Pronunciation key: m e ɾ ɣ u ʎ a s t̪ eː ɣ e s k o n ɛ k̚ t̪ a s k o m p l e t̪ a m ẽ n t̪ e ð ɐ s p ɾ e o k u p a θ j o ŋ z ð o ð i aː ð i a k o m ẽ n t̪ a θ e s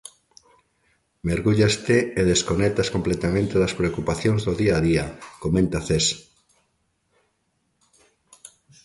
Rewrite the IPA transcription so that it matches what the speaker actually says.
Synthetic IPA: m e ɾ ɣ u ʎ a s t̪ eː ð e s k o n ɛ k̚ t̪ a s k o m p l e t̪ a m ẽ n t̪ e ð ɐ s p ɾ e o k u p a θ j o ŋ z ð o ð i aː ð i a k o m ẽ n t̪ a θ e s

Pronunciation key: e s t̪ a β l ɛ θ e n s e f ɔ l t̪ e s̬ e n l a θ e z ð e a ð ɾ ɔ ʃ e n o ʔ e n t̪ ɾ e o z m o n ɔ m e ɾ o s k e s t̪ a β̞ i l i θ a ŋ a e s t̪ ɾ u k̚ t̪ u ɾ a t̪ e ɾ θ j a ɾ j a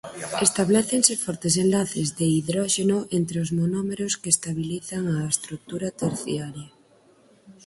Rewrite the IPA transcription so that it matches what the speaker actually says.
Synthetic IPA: e s t̪ a β l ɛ θ e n s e f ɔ ɾ t̪ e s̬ e n l a θ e z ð e i ð ɾ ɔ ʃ e n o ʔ e n t̪ ɾ e o z m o n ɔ m e ɾ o s k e s t̪ a β̞ i l i θ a ŋ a e s t̪ ɾ u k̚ t̪ u ɾ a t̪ e ɾ θ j a ɾ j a

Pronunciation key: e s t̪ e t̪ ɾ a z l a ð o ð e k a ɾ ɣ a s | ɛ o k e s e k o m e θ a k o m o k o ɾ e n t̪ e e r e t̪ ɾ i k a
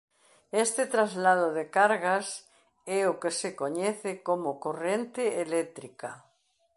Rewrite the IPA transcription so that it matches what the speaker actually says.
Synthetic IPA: e s t̪ e t̪ ɾ a z l a ð o ð e k a ɾ ɣ a s | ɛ o k e s e k o ɲ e θ e k o m o k o r e n t̪ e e l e t̪ ɾ i k a

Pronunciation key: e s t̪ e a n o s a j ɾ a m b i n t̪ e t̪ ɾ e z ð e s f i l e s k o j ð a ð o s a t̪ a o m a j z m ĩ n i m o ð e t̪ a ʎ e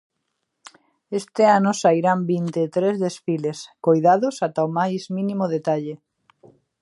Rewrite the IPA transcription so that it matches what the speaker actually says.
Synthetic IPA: e s t̪ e a n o s a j ɾ a m b i n t̪ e t̪ ɾ e z ð e s f i l e s k o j ð a ð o s a t̪ a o m a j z m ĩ n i m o ð e t̪ a ʎ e

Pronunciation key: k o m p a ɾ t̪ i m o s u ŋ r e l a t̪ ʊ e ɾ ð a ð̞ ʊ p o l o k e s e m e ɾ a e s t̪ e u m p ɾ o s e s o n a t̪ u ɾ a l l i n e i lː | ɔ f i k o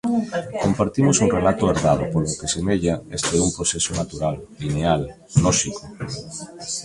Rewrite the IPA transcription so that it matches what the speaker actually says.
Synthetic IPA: k o m p a ɾ t̪ i m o s u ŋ r e l a t̪ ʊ e ɾ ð a ð̞ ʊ p o l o k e s e m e ʎ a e s t̪ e u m p ɾ o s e s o n a t̪ u ɾ a l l i n e a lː | ɔ ʃ i k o

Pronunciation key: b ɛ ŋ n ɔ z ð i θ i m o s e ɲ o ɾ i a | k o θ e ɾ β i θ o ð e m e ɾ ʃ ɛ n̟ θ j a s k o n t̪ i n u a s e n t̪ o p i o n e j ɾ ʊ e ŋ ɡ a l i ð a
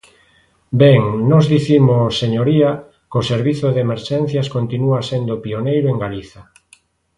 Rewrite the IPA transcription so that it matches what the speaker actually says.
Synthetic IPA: b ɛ ŋ n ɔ z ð i θ i m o s e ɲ o ɾ i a | k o s e ɾ β i θ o ð e m e ɾ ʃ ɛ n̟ θ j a s k o n t̪ i n u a s e n d̪ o p i o n e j ɾ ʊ e ŋ ɡ a l i θ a

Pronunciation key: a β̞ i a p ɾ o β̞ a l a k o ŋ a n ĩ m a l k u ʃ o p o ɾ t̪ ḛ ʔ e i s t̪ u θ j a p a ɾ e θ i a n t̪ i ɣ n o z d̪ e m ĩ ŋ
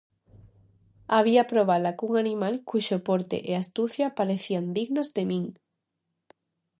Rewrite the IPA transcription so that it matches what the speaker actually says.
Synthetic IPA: a β̞ i a p ɾ o β̞ a l a k u ŋ a n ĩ m a l k u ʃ o p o ɾ t̪ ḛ ʔ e a s t̪ u θ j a p a ɾ e θ i a n d̪ i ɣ n o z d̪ e m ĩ ŋ

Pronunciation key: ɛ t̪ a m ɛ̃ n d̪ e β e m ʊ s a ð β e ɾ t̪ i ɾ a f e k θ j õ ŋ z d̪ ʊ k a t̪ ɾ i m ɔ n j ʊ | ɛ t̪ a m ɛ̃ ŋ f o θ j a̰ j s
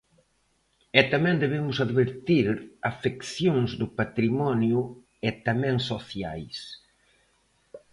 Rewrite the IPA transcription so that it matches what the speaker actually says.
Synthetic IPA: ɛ t̪ a m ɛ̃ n d̪ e β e m ʊ s a ð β e ɾ t̪ i ɾ a f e k θ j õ ŋ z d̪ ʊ p a t̪ ɾ i m ɔ n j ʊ | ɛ t̪ a m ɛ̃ ŋ s o θ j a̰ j s

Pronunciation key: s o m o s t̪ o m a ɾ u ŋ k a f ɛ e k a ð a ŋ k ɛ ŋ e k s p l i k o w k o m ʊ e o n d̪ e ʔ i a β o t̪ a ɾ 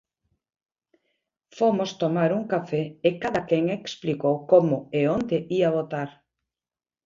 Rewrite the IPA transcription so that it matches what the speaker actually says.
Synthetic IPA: f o m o s t̪ o m a ɾ u ŋ k a f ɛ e k a ð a k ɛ ŋ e k s p l i k o w k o m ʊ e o n d̪ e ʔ i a β o t̪ a ɾ

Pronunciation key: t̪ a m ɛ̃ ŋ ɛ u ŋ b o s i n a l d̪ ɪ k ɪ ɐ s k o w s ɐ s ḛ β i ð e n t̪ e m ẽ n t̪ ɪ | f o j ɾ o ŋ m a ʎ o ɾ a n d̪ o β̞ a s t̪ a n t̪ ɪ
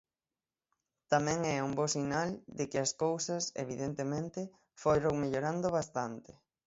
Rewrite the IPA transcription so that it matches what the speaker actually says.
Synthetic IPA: t̪ a m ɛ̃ ŋ ɛ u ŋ b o s i n a l d̪ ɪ k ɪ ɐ s k o w s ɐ s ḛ β i ð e n t̪ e m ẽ n t̪ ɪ | f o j ɾ o ŋ m e ʎ o ɾ a n d̪ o β̞ a s t̪ a n t̪ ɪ

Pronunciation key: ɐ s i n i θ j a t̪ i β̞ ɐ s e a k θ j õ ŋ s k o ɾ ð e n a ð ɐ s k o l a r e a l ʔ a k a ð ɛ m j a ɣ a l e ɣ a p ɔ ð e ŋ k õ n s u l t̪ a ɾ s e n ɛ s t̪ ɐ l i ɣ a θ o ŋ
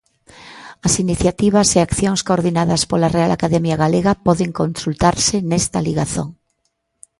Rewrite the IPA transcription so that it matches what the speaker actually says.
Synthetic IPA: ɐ s i n i θ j a t̪ i β̞ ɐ s e a k θ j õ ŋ s k o ɾ ð i n a ð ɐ s p o l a r e a l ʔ a k a ð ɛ m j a ɣ a l e ɣ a p ɔ ð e ŋ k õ n s u l t̪ a ɾ s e n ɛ s t̪ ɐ l i ɣ a θ o ŋ

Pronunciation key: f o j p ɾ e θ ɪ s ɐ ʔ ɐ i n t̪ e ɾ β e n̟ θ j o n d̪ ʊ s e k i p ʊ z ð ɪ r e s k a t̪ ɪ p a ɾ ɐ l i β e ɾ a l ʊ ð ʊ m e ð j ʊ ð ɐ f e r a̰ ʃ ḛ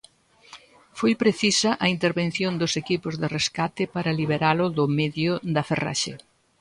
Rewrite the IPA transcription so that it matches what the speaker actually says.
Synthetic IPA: f o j p ɾ e θ i s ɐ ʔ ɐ i n t̪ e ɾ β e n̟ θ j o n d̪ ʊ s e k i p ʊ z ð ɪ r e s k a t̪ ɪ p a ɾ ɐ l i β e ɾ a l ʊ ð ʊ m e ð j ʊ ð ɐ f e r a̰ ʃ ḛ

